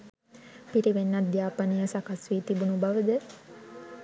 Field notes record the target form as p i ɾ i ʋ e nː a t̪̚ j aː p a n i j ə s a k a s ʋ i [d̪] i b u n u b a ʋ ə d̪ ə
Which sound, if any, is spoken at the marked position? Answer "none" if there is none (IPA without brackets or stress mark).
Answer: t̪